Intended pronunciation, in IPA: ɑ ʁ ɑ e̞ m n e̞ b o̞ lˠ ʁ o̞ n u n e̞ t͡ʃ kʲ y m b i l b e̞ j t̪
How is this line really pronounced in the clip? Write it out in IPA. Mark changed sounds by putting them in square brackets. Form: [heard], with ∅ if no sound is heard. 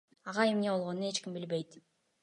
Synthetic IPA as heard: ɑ ʁ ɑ e̞ m n e̞ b o̞ lˠ ʁ o̞ n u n e̞ t͡ʃ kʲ [i] m b i l b e̞ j t̪